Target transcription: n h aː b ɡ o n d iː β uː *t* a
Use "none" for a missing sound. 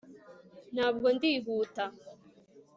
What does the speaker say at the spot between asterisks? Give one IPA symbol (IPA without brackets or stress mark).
t